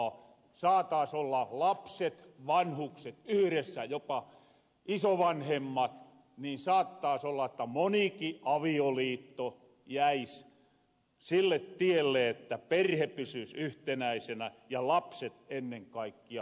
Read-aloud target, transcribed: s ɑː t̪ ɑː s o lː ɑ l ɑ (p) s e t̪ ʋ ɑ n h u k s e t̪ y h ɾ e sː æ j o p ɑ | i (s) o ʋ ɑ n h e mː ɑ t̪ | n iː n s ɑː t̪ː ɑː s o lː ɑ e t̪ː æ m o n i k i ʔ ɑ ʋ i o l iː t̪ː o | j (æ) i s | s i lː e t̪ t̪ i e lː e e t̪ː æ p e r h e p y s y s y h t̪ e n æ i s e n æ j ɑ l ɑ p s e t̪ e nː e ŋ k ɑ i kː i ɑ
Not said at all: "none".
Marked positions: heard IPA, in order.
p, s, æ

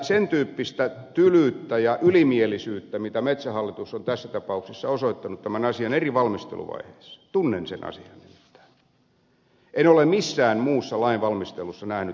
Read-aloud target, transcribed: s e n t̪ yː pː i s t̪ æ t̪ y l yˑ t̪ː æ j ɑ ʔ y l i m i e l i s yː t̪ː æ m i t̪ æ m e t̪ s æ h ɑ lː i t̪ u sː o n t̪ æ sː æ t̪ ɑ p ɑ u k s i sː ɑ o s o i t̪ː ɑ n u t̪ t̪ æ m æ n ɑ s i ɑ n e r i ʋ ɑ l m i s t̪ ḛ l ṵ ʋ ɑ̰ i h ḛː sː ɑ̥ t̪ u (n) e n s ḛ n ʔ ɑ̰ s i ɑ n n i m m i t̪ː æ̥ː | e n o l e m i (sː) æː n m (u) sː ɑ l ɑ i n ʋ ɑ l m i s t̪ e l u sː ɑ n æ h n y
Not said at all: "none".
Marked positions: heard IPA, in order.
nː, sː, uː

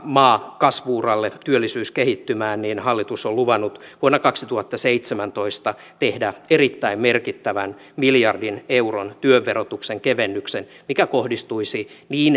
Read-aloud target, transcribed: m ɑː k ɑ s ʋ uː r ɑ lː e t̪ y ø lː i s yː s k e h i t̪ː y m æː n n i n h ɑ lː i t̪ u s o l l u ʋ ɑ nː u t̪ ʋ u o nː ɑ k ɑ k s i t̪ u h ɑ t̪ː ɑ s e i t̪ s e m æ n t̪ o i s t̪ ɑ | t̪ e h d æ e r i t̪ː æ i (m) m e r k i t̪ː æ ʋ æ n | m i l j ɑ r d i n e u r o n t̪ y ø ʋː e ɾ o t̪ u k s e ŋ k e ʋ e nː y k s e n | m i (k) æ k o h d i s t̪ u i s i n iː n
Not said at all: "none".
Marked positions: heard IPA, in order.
m, k

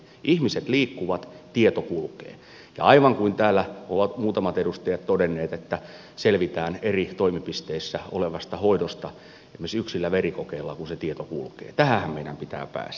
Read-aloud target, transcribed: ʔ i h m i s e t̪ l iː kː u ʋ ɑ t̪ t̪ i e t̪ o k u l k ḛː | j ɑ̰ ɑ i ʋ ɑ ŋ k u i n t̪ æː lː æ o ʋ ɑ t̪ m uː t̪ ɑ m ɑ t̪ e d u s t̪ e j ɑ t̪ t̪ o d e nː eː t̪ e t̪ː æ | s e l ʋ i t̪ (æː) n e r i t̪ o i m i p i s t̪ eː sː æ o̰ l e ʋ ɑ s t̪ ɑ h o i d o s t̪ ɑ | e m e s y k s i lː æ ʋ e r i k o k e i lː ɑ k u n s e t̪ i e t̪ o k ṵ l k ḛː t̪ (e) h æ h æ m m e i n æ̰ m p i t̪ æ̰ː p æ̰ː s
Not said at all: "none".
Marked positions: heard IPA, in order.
æː, æ

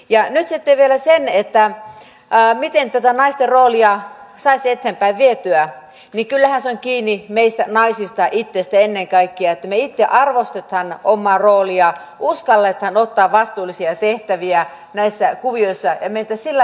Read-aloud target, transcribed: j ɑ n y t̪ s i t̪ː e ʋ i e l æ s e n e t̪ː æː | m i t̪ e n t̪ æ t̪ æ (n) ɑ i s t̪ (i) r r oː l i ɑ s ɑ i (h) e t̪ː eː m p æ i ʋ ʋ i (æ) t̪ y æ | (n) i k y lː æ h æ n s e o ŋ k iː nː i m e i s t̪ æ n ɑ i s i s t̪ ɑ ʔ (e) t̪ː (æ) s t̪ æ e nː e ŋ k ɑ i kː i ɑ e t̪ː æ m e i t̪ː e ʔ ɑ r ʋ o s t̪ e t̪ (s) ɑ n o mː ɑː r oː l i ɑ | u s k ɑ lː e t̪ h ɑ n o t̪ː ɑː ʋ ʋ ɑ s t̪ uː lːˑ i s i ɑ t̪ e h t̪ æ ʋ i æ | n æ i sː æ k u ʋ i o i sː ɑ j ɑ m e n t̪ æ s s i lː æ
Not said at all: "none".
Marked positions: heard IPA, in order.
n, e, s, e, n, i, e, h

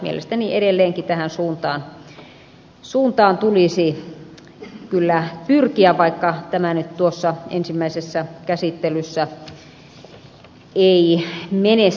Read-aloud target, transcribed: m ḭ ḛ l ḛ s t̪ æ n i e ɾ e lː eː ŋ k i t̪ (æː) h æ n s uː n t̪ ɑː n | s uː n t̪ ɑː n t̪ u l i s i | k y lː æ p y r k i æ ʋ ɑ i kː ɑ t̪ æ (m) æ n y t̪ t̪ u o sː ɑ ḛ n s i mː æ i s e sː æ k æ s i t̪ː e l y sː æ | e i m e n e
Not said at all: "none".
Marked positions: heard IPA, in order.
æ, m

